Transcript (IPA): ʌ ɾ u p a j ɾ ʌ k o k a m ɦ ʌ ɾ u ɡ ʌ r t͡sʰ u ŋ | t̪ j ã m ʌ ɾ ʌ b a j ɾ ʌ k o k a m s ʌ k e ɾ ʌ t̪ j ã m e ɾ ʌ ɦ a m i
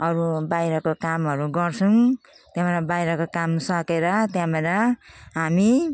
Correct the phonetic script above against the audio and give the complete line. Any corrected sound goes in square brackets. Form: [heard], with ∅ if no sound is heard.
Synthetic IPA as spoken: ʌ ɾ u [b] a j ɾ ʌ k o k a m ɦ ʌ ɾ u ɡ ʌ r t͡sʰ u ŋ | t̪ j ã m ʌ ɾ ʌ b a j ɾ ʌ k o k a m s ʌ k e ɾ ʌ t̪ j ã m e ɾ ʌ ɦ a m i

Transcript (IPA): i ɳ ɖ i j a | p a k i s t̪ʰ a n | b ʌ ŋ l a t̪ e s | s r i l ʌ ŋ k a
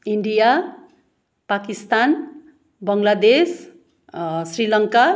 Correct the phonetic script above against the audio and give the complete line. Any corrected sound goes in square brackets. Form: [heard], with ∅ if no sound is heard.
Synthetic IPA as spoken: i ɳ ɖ i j a | p a k i s [t̪] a n | b ʌ ŋ l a [d̪] e s | s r i l ʌ ŋ k a

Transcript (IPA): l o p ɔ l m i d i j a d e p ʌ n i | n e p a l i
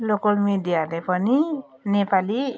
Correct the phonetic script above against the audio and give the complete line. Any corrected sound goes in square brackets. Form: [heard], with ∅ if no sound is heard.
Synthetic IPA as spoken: l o [k] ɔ l m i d i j a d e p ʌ n i | n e p a l i

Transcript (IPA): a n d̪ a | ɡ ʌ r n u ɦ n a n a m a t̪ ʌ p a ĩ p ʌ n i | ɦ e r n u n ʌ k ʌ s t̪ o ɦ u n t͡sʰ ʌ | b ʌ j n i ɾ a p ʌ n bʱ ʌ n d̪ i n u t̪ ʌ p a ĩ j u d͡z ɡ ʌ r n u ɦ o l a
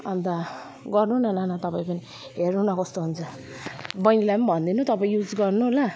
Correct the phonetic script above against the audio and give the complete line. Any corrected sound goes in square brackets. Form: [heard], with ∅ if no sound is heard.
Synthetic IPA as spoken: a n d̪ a | ɡ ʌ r n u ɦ n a n a [n] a t̪ ʌ p a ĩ p ʌ n i | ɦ e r n u n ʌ k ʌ s t̪ o ɦ u n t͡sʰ ʌ | b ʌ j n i [l] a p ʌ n bʱ ʌ n d̪ i n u t̪ ʌ p a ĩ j u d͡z ɡ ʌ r n u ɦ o l a

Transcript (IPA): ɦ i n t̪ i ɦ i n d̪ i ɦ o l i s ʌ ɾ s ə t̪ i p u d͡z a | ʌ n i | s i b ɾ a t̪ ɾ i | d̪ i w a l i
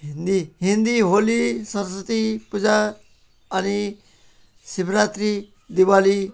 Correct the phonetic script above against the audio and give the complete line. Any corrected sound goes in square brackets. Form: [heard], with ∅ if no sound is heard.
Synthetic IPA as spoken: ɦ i n [d̪] i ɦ i n d̪ i ɦ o l i s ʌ ɾ s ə t̪ i p u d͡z a | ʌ n i | s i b ɾ a t̪ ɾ i | d̪ i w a l i

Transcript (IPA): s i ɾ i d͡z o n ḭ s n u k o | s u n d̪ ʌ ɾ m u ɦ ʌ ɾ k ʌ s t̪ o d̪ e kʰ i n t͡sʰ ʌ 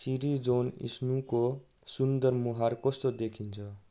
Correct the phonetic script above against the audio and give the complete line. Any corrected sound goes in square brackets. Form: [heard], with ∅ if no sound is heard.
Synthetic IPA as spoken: s i ɾ i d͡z o n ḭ s n u k o | s u n d̪ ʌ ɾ m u ɦ [a] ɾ k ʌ s t̪ o d̪ e kʰ i n t͡sʰ ʌ

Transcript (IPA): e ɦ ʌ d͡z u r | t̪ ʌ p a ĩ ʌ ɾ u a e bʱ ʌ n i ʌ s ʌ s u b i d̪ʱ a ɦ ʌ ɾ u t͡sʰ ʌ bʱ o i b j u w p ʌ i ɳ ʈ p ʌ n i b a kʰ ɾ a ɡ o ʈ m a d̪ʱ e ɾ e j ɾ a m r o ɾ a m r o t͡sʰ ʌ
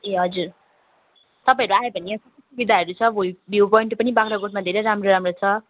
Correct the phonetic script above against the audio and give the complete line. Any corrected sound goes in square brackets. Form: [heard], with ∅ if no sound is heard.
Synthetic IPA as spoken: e ɦ ʌ d͡z u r | t̪ ʌ p a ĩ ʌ ɾ u a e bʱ ʌ n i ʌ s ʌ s u b i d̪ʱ a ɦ ʌ ɾ u t͡sʰ ʌ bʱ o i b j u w p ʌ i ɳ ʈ p ʌ n i b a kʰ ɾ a ɡ o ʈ m a d̪ʱ e ɾ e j ɾ a m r o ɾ a m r o t͡sʰ ʌ

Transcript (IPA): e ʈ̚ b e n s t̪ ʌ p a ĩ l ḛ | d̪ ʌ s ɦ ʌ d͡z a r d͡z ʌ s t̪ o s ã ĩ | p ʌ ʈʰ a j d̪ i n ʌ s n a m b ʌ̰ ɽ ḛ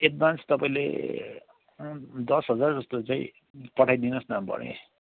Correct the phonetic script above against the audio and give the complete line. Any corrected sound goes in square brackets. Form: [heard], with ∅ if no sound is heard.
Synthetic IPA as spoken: e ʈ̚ b [a] n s t̪ ʌ p a ĩ l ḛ | d̪ ʌ s ɦ ʌ d͡z a r d͡z ʌ s t̪ o [t͡s] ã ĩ | p ʌ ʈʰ a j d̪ i n ʌ s n a m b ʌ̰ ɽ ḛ

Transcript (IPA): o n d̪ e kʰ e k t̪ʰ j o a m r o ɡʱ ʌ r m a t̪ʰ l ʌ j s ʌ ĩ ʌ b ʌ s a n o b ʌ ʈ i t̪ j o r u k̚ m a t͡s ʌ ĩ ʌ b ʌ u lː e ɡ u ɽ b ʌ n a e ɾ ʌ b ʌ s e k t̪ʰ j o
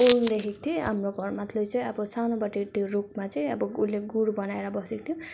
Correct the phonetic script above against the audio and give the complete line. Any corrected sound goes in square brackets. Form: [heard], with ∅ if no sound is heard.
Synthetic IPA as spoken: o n d̪ e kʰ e k t̪ʰ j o a m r o ɡʱ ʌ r m a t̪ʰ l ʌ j [t͡s] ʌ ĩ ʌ b ʌ s a n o b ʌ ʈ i t̪ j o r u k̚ m a t͡s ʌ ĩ ʌ b ʌ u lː e ɡ u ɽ b ʌ n a e ɾ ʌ b ʌ s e k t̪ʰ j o

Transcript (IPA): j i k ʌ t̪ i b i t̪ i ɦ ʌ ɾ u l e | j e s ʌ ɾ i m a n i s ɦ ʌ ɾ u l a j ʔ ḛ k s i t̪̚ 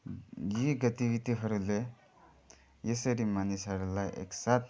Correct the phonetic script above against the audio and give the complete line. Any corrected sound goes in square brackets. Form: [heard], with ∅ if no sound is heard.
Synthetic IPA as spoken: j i [ɡ] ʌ t̪ i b i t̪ i ɦ ʌ ɾ u l e | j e s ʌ ɾ i m a n i s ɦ ʌ ɾ u l a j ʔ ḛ k s [a] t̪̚

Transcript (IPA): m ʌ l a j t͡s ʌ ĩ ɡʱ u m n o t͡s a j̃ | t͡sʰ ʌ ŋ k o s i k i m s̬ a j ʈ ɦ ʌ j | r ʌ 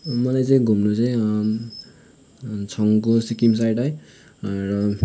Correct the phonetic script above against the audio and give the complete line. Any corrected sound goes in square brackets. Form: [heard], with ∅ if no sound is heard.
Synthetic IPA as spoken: m ʌ l a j t͡s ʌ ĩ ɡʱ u m n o t͡s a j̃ | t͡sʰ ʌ ŋ k o s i k i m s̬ a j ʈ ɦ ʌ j | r ʌ

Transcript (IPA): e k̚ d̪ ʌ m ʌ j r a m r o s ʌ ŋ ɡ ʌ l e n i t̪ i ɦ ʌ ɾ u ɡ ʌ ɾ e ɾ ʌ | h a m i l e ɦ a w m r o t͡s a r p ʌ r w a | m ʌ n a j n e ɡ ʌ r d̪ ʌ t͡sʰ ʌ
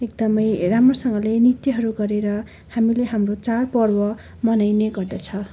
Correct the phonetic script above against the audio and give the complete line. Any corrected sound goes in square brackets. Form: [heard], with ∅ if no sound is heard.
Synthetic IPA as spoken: e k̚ d̪ ʌ m ʌ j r a m r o s ʌ ŋ ɡ ʌ l e n i t̪ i ɦ ʌ ɾ u ɡ ʌ ɾ e ɾ ʌ | h a m i l e ɦ a [∅] m r o t͡s a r p ʌ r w [ʌ] | m ʌ n a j n e ɡ ʌ r d̪ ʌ t͡sʰ ʌ

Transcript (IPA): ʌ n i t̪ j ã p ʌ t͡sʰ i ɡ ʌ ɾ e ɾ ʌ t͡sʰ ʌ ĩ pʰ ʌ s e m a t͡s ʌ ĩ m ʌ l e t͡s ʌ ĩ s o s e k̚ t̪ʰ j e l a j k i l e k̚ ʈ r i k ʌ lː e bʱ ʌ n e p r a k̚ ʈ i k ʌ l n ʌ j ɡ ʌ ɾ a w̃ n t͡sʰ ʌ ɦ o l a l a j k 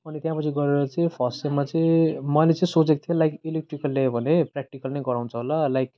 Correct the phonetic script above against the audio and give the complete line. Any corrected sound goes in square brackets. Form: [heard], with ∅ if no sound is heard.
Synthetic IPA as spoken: ʌ n i t̪ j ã p ʌ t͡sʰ i ɡ ʌ ɾ e ɾ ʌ [t͡s] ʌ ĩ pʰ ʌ s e m a t͡s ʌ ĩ m ʌ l e t͡s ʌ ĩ s o [t͡s] e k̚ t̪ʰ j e l a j k i l e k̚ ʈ r i k ʌ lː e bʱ ʌ n e p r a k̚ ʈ i k ʌ l n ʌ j ɡ ʌ ɾ a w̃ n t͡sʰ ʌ ɦ o l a l a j k

